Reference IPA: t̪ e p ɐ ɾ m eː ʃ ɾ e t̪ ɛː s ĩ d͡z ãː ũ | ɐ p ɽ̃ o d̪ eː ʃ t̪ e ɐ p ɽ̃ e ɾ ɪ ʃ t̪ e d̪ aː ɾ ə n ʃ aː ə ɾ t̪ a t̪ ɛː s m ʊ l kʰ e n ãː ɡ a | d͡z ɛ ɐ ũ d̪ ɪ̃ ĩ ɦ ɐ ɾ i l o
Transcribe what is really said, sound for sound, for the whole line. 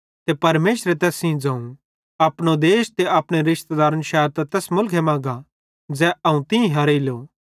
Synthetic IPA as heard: t̪ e p ɐ ɾ m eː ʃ ɾ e t̪ ɛː s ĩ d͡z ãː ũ | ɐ p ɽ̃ o d̪ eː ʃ t̪ e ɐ p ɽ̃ e ɾ ɪ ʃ t̪ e d̪ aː ɾ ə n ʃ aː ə ɾ t̪ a t̪ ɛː s m ʊ l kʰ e m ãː ɡ a | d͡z ɛ ɐ ũ t̪ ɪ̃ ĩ ɦ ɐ ɾ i l o